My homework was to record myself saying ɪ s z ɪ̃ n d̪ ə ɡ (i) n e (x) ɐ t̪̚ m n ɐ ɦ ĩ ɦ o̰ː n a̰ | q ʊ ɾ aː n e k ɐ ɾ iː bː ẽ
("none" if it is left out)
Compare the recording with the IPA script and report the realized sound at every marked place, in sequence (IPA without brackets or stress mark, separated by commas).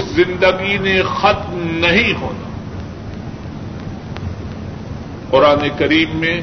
i, x